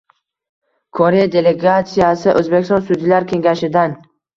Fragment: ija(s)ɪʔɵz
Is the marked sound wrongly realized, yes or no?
no